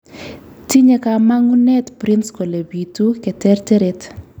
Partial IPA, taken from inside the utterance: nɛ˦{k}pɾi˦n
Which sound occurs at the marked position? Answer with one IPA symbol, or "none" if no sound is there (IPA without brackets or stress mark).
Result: t